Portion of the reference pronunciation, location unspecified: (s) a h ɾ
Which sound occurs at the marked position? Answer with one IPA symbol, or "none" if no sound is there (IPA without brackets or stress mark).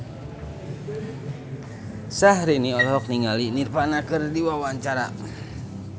s